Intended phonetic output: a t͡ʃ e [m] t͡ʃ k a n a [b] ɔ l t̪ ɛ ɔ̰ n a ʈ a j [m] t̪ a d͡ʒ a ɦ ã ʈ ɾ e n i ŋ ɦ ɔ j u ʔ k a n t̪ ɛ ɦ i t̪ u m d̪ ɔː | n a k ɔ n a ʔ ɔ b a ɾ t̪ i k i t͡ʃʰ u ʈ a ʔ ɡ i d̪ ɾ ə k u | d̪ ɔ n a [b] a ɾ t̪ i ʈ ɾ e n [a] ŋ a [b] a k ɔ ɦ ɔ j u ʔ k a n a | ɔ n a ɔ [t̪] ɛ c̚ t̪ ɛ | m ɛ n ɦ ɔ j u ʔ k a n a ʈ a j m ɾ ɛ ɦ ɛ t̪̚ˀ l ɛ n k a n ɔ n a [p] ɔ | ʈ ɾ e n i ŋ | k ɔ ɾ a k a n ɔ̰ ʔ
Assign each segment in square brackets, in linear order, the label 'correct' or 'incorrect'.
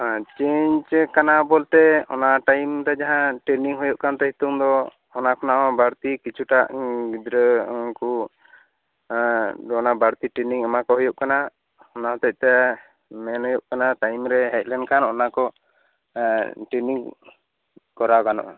incorrect: ɲ, correct, correct, correct, incorrect: i, incorrect: m, correct, incorrect: k

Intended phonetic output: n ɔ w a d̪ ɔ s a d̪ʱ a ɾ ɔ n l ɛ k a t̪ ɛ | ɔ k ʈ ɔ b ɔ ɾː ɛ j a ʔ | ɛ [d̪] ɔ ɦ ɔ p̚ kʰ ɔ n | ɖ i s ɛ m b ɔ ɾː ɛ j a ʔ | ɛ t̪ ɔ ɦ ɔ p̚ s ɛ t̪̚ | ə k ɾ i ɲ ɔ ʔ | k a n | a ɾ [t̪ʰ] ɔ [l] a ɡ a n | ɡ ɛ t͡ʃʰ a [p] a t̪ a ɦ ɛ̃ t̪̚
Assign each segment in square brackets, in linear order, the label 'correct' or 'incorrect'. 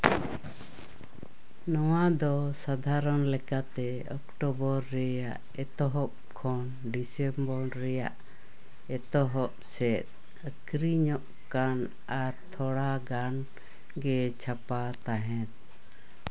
incorrect: t̪, correct, incorrect: ɽ, correct

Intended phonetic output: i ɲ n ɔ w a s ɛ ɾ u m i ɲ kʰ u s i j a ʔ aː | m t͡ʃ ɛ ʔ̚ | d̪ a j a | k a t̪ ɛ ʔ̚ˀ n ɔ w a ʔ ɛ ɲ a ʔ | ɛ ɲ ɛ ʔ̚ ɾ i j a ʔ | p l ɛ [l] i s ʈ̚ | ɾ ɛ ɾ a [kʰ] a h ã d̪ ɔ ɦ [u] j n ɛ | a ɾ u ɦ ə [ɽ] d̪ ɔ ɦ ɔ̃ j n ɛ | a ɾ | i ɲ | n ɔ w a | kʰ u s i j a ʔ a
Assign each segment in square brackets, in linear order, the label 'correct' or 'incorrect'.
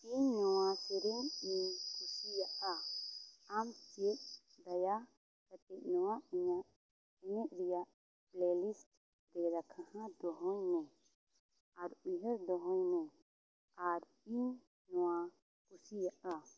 correct, correct, incorrect: ɔ, incorrect: ɾ

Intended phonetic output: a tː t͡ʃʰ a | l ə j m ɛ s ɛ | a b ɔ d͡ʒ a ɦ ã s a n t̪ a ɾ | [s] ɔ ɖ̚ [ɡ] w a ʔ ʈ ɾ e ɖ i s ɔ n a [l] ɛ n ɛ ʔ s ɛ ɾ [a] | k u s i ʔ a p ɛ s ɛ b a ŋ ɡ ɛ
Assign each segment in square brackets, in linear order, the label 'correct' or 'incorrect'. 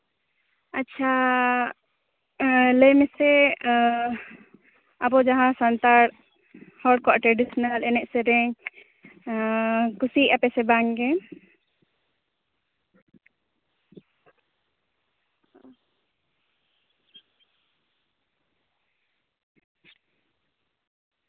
incorrect: h, incorrect: k, correct, incorrect: ɛ

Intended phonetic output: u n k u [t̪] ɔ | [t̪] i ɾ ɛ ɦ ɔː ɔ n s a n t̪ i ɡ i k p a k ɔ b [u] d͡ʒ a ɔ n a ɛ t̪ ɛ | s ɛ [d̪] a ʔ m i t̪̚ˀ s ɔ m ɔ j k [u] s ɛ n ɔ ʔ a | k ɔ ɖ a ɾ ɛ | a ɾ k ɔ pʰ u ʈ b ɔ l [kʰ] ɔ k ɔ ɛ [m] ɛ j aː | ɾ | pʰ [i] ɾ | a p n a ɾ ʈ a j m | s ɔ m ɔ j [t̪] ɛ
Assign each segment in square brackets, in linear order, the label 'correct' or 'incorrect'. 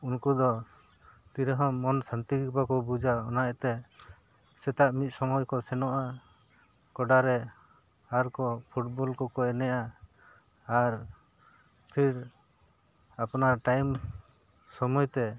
incorrect: d̪, correct, correct, incorrect: t̪, incorrect: ɔ, incorrect: k, incorrect: n, correct, correct

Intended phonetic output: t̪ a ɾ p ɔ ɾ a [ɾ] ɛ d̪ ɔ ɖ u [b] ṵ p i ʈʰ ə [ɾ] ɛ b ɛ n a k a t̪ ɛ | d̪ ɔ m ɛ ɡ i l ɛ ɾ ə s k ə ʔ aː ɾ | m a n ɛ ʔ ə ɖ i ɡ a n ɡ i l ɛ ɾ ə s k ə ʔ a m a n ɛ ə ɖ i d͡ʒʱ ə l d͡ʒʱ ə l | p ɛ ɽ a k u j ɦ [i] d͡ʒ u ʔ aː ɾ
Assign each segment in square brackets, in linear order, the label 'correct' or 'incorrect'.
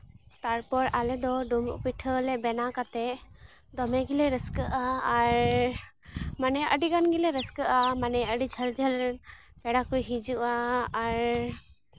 incorrect: l, incorrect: m, incorrect: l, correct

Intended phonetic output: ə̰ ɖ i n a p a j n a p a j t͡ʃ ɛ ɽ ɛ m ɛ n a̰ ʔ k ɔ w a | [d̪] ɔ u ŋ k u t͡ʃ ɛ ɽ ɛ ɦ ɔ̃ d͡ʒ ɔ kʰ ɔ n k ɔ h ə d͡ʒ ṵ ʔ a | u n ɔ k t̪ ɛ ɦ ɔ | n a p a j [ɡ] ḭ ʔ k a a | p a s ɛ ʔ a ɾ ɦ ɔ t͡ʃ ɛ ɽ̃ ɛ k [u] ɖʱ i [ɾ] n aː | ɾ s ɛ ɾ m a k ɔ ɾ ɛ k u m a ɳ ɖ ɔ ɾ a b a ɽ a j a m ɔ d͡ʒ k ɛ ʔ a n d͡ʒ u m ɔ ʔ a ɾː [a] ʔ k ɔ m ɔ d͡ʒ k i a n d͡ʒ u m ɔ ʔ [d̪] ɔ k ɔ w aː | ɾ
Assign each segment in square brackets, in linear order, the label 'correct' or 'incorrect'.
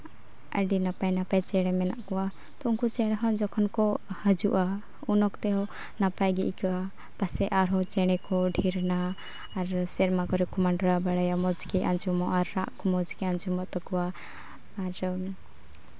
incorrect: t̪, correct, incorrect: ɔ, correct, correct, incorrect: t̪

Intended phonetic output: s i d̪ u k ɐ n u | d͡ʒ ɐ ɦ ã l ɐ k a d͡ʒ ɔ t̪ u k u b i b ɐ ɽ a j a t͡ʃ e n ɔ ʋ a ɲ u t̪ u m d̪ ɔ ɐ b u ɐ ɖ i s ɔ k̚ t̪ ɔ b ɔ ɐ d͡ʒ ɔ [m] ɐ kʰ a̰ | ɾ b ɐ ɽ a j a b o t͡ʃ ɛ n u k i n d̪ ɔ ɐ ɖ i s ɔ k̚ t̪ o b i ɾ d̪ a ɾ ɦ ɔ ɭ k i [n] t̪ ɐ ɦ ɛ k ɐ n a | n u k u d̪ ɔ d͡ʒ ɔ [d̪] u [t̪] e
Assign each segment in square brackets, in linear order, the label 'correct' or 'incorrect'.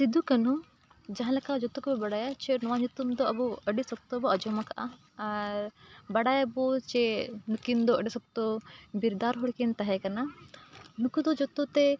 correct, correct, incorrect: t̪, correct

